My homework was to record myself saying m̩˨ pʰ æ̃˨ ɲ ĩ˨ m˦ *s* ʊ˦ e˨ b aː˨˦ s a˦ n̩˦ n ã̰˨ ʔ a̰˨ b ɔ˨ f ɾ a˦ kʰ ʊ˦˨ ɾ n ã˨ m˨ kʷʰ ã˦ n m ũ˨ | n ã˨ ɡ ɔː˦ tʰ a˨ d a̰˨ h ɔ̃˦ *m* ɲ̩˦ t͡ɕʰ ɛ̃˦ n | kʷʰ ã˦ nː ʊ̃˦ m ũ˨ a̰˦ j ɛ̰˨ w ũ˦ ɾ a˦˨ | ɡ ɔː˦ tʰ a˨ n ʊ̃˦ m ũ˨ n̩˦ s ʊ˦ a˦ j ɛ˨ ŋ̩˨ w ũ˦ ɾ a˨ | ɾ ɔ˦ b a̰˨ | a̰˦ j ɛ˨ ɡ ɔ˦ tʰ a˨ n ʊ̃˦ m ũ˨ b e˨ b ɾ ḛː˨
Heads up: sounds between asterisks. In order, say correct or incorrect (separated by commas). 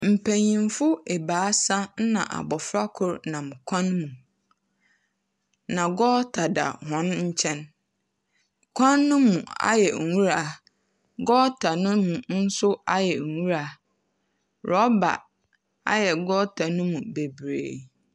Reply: incorrect, incorrect